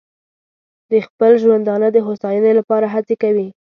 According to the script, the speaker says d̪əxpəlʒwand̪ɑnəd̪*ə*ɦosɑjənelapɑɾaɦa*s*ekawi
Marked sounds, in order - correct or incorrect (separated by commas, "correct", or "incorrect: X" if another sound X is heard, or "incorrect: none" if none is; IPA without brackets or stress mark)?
correct, incorrect: t͡s